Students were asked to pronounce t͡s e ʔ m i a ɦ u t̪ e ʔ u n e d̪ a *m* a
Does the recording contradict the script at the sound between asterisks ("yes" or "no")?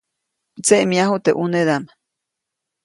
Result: no